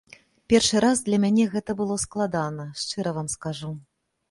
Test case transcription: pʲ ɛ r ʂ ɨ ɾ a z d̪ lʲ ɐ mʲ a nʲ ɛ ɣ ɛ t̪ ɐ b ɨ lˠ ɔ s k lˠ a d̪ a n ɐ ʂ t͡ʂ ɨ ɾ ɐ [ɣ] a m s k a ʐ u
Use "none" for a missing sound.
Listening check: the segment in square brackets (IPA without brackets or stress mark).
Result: v